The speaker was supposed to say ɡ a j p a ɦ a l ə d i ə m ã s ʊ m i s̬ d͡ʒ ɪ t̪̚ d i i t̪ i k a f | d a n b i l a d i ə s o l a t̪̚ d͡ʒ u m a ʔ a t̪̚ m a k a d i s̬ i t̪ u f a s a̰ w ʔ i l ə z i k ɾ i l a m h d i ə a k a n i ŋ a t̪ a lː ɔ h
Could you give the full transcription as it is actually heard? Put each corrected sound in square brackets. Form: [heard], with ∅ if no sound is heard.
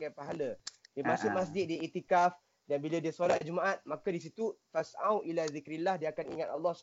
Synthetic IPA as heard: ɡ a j p a ɦ a l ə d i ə m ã s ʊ m [a] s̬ d͡ʒ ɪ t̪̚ d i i t̪ i k a f | d a n b i l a d i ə s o l a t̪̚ d͡ʒ u m a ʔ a t̪̚ m a k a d i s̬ i t̪ u f a s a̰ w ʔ i l [a] z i k ɾ i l a [∅] h d i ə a k a n i ŋ a t̪ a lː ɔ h